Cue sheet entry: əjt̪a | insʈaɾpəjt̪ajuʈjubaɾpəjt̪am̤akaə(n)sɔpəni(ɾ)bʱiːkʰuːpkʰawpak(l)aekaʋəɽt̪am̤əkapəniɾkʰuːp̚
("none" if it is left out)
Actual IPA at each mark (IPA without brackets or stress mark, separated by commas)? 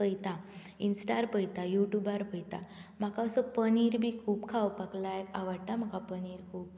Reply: none, ɾ, l